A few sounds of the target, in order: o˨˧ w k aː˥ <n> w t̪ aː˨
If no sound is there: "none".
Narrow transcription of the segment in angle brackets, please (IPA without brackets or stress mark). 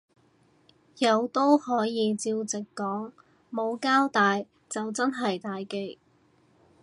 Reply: none